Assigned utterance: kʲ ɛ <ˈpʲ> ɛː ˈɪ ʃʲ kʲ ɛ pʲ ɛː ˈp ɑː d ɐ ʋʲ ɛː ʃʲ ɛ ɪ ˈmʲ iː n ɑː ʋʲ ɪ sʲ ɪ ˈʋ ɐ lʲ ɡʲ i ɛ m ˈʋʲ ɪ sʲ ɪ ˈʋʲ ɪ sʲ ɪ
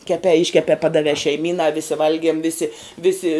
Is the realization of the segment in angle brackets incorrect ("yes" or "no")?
no